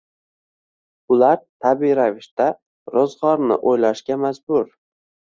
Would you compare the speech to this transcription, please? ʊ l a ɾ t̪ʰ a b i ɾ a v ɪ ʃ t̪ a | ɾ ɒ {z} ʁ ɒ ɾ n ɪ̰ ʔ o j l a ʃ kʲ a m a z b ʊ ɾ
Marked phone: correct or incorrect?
correct